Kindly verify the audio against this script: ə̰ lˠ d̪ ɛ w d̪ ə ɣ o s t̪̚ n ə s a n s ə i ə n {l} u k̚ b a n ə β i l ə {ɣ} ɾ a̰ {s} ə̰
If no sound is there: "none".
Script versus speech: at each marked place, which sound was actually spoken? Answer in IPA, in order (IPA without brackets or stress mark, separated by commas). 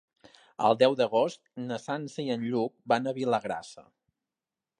ʎ, ɣ, s